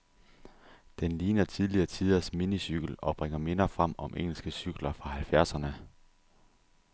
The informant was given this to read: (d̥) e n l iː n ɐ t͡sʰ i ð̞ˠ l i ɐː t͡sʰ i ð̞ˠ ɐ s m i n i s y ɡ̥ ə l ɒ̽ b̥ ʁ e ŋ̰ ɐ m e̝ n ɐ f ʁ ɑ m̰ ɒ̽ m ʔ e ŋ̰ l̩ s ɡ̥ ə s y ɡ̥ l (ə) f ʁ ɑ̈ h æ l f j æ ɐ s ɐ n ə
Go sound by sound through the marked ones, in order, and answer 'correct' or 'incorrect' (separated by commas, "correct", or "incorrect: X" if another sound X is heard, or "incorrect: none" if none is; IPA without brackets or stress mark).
correct, incorrect: ɐ